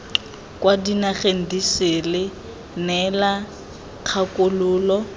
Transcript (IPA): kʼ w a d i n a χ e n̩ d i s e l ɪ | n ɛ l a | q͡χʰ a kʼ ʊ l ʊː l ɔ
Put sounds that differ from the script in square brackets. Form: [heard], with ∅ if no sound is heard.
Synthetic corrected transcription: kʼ w a d i n a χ e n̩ d i s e l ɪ | n ɛ l a | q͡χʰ a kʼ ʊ l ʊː l ɔ